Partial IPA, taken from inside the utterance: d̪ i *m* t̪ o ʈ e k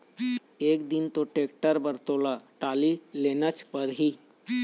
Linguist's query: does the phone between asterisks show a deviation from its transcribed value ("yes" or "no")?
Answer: yes